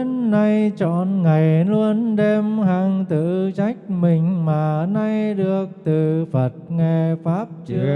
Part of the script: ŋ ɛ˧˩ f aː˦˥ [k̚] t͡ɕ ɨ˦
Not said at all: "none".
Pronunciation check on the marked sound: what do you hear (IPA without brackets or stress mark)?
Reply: p̚